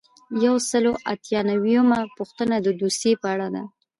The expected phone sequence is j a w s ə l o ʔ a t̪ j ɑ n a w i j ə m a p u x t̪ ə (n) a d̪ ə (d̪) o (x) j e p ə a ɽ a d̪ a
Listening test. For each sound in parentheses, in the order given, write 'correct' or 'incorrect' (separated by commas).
correct, correct, incorrect